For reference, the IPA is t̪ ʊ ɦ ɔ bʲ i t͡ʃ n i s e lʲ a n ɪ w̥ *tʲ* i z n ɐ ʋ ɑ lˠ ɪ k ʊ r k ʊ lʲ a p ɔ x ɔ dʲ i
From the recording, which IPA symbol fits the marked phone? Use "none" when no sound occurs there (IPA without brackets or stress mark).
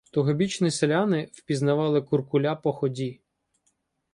pʲ